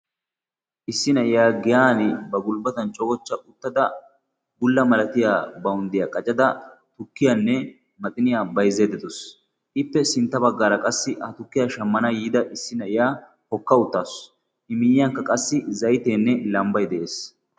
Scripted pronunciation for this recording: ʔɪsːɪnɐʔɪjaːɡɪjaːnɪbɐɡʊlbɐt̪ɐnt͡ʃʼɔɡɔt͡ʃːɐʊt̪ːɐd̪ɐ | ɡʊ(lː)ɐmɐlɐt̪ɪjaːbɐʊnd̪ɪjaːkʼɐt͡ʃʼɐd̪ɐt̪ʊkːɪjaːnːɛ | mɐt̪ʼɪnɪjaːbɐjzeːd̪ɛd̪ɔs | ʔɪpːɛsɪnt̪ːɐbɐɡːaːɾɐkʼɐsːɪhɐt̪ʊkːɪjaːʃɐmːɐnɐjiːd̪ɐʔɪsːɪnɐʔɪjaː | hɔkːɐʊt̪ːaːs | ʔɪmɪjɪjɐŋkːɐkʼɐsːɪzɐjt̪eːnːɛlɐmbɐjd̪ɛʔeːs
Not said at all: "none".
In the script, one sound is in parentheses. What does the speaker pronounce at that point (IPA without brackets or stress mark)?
lː